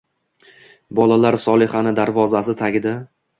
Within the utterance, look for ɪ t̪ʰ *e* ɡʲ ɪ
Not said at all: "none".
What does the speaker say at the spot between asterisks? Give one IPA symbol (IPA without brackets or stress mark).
a